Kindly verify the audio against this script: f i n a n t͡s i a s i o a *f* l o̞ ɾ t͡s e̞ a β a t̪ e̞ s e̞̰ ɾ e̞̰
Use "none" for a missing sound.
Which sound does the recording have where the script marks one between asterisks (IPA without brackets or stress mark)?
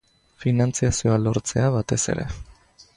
none